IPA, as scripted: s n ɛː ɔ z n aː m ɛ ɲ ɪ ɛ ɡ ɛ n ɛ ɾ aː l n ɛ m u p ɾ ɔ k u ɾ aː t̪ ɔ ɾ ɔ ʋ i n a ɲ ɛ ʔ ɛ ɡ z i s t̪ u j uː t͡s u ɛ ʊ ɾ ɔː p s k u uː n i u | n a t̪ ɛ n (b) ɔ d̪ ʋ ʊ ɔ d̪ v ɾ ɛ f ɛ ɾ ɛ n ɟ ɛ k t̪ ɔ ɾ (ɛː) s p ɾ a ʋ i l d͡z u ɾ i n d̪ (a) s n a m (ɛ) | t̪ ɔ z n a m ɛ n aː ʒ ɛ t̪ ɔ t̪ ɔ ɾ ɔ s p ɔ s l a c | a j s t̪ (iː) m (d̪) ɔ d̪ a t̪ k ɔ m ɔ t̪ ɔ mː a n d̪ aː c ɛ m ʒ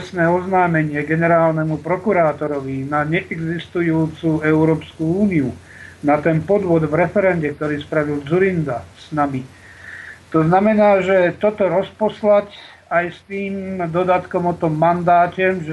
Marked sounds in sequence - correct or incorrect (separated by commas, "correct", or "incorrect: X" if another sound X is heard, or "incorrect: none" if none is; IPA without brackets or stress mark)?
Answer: incorrect: p, incorrect: iː, correct, incorrect: i, correct, correct